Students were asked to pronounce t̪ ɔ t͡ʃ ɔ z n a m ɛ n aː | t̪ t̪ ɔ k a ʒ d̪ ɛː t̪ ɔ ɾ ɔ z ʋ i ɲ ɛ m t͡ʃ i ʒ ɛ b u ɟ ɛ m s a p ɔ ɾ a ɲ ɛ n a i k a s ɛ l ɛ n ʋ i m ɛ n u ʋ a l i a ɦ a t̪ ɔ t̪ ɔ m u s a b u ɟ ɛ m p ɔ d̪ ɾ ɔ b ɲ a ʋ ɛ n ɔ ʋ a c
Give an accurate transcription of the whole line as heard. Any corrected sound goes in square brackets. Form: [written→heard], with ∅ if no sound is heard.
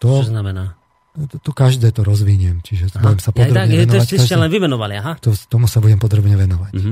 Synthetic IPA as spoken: t̪ ɔ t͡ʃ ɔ z n a m ɛ n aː | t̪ t̪ ɔ k a ʒ d̪ ɛː t̪ ɔ ɾ ɔ z ʋ i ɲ ɛ m t͡ʃ i ʒ ɛ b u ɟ ɛ m s a p ɔ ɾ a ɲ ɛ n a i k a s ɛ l ɛ n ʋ i m ɛ n [u→ɔ] ʋ a l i a ɦ a t̪ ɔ t̪ ɔ m u s a b u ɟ ɛ m p ɔ d̪ ɾ ɔ b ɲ [a→ɛ] ʋ ɛ n ɔ ʋ a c